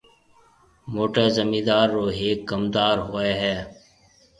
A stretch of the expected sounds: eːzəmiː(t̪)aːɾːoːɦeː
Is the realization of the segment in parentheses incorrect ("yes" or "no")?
yes